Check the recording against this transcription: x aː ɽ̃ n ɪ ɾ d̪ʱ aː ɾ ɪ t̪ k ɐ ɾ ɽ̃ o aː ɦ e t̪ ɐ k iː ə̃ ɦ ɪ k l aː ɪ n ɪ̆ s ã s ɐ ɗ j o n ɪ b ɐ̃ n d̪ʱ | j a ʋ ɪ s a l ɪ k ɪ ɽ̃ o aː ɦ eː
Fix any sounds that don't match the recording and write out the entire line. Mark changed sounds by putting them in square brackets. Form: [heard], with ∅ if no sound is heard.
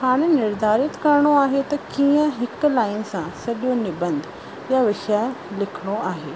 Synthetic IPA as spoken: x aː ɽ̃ n ɪ ɾ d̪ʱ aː ɾ ɪ t̪ k ɐ ɾ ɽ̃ o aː ɦ e t̪ ɐ k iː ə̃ ɦ ɪ k l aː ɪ n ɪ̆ s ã s ɐ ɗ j o n ɪ b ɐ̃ n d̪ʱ | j a ʋ ɪ [ʃ] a l ɪ [kʰ] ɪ ɽ̃ o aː ɦ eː